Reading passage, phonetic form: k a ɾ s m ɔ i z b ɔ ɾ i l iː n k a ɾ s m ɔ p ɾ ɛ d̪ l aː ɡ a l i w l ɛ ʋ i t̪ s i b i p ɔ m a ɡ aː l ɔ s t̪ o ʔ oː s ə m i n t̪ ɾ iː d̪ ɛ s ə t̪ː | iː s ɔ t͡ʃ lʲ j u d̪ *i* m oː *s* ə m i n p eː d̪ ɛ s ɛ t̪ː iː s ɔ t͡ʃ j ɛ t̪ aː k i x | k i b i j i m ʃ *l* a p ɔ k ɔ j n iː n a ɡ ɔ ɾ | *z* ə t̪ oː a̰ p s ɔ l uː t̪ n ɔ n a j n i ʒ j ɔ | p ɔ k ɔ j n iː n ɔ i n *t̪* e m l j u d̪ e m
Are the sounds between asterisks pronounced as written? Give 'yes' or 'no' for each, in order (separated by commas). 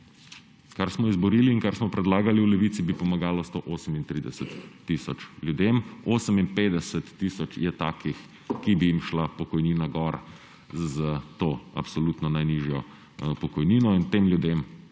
no, yes, yes, yes, yes